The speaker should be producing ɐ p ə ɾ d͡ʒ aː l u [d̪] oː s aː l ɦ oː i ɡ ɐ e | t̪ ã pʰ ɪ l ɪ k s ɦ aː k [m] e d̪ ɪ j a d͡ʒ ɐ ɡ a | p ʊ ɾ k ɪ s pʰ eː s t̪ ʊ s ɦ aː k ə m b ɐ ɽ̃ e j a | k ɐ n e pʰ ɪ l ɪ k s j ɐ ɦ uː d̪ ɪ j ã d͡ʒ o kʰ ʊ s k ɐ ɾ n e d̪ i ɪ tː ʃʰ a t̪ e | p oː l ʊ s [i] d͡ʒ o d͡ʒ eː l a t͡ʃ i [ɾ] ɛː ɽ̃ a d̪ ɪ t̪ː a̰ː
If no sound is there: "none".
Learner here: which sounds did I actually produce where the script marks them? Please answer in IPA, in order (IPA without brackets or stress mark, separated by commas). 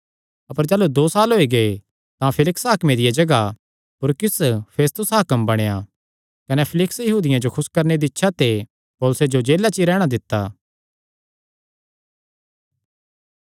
d̪, m, e, ɾ